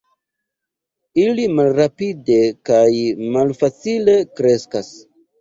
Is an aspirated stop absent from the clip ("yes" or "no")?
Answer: yes